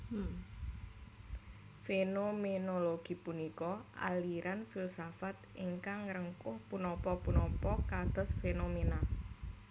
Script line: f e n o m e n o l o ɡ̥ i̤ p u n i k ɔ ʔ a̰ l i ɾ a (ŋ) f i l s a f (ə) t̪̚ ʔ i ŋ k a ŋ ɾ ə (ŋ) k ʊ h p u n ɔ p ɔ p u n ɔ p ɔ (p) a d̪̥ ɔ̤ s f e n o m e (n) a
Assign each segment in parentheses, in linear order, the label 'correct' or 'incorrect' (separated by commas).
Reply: incorrect, incorrect, correct, incorrect, correct